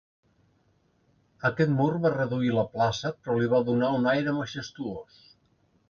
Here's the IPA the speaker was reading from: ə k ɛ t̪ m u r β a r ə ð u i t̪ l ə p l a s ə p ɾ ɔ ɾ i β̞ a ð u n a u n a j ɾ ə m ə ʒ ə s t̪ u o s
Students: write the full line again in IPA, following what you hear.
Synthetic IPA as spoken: ə k ɛ t̪ m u r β a r ə ð u i l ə p l a s ə p ɾ ɔ l i β̞ a ð u n a u n a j ɾ ə m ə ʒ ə s t̪ u o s